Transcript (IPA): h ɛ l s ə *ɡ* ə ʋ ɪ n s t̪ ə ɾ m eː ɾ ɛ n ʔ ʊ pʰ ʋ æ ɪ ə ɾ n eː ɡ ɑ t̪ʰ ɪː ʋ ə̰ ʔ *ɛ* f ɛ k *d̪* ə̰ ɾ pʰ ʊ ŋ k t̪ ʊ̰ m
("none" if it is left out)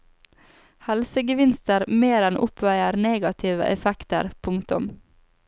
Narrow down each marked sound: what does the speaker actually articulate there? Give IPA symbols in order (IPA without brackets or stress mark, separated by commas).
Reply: ɡ, ɛ, t̪